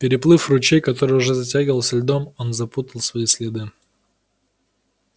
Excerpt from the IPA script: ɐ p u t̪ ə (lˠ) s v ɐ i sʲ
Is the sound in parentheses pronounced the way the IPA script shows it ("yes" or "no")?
yes